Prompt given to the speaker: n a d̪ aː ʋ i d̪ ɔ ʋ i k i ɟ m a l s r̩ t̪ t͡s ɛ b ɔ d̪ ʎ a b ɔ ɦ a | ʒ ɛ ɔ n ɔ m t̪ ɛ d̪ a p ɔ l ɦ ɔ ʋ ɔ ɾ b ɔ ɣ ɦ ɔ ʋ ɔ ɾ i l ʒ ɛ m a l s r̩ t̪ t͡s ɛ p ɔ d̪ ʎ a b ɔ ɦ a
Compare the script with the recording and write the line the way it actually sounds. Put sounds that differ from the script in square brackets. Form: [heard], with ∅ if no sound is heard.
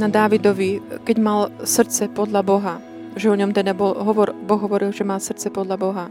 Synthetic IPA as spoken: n a d̪ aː ʋ i d̪ ɔ ʋ i k [ɛ] ɟ m a l s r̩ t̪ t͡s ɛ [p] ɔ d̪ ʎ a b ɔ ɦ a | ʒ ɛ ɔ [ɲ] ɔ m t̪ ɛ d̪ a [b] ɔ l ɦ ɔ ʋ ɔ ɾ b ɔ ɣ ɦ ɔ ʋ ɔ ɾ i l ʒ ɛ m a l s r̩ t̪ t͡s ɛ p ɔ d̪ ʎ a b ɔ ɦ a